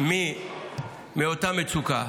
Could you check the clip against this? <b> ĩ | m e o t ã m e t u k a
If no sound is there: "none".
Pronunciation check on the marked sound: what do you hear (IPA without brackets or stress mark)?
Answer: m